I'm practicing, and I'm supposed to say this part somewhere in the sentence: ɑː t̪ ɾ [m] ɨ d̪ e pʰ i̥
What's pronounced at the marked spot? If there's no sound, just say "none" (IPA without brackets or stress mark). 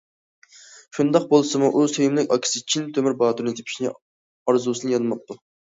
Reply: n